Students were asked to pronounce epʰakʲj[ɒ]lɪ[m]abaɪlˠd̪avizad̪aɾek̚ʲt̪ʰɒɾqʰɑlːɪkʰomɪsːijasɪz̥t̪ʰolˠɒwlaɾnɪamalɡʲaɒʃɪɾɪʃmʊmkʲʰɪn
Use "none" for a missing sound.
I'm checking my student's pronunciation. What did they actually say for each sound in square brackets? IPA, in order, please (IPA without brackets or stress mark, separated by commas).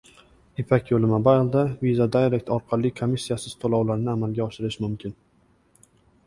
o, m